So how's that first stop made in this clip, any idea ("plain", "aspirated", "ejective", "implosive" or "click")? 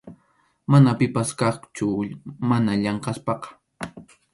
plain